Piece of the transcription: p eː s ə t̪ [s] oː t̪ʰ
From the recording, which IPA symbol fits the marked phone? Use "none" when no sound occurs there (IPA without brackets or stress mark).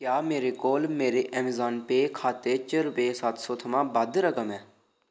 s